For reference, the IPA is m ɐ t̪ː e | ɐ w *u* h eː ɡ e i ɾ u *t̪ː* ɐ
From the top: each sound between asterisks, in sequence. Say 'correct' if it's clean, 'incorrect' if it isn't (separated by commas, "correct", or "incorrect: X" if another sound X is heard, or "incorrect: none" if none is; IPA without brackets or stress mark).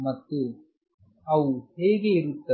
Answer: correct, correct